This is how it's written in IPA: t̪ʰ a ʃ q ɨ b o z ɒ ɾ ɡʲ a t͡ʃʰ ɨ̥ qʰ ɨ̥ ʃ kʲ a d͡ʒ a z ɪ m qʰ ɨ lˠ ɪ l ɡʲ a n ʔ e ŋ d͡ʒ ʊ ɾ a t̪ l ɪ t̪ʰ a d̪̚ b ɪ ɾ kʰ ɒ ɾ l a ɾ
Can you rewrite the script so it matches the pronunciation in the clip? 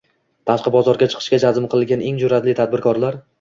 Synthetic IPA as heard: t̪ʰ a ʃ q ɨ b ɒ z ɒ ɾ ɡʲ a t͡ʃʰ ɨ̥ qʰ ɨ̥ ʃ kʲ a d͡ʒ a z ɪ m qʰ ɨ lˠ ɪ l ɡʲ a n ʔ e ŋ d͡ʒ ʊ ɾ a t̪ l ɪ t̪ʰ a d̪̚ b ɪ ɾ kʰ ɒ ɾ l a ɾ